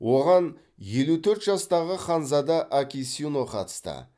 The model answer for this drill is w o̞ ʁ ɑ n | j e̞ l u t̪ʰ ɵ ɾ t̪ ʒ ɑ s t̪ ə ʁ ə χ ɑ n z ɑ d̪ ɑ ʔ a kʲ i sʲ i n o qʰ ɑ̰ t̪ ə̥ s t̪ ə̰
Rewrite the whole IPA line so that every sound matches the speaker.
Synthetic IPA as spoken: w o̞ ʁ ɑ n | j e̞ l u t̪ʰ ɵ ɾ t̪ ʒ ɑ s t̪ ɑ ʁ ə χ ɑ n z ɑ d̪ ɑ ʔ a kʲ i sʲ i n o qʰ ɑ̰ t̪ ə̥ s t̪ ə̰